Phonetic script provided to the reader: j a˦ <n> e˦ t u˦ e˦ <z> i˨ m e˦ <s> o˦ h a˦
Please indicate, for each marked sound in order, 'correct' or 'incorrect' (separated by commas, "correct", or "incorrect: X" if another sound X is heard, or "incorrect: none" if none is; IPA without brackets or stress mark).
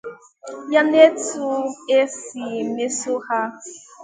correct, incorrect: s, correct